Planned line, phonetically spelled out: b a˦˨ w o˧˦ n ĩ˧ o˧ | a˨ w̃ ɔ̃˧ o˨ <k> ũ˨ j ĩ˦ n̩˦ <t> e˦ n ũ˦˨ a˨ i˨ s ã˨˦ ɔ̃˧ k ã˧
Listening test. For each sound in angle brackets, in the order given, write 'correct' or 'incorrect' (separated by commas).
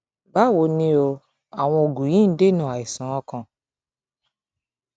incorrect, incorrect